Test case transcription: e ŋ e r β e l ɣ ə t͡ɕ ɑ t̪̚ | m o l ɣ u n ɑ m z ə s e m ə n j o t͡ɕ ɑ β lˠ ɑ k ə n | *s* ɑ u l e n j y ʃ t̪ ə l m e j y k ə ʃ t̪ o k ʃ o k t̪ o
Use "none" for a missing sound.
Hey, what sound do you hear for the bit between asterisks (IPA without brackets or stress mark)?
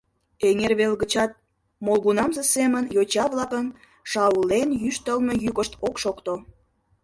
ʃ